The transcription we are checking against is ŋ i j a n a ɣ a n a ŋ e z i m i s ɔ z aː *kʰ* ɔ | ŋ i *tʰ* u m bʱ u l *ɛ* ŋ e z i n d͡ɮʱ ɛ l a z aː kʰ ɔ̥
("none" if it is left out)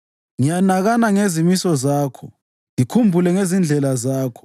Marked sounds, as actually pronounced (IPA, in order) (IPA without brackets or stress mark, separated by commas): kʰ, kʰ, ɛ